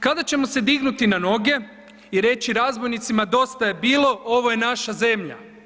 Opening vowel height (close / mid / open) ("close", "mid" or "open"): open